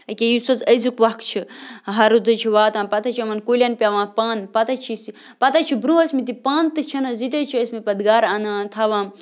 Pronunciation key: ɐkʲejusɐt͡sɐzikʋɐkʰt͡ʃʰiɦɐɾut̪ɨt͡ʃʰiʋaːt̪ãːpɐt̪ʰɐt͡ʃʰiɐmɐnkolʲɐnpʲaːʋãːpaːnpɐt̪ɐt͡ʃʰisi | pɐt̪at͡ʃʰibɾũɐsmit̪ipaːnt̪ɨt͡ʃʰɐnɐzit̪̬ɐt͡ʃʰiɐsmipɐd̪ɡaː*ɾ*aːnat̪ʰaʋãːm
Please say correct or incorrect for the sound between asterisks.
correct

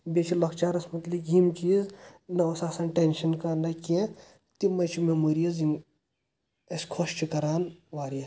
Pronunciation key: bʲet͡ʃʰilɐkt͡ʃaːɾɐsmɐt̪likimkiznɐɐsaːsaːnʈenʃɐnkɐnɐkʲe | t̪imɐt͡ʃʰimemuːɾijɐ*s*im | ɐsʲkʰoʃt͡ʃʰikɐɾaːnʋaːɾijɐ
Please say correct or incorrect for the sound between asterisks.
incorrect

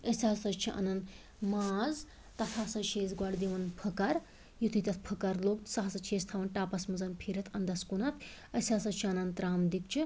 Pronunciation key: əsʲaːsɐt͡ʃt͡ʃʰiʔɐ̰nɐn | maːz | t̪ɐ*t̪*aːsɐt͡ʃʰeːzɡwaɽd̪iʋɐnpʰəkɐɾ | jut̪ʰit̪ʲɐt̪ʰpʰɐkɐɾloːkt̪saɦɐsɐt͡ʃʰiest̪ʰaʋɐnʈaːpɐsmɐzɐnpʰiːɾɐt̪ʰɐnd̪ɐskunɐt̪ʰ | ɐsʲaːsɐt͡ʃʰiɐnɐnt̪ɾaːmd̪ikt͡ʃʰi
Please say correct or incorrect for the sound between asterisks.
incorrect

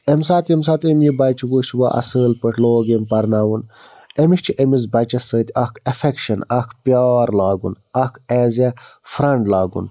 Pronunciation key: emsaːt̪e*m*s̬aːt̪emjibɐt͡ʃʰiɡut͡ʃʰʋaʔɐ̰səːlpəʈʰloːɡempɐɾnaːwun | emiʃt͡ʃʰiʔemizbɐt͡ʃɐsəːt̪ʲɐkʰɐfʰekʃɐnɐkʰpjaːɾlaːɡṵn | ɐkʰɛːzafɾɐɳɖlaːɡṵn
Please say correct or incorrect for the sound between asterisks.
correct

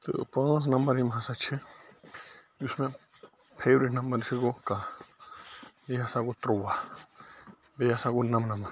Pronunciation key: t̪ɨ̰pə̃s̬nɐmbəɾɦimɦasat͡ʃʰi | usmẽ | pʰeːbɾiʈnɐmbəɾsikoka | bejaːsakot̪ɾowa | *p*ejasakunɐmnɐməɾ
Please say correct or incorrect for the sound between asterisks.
incorrect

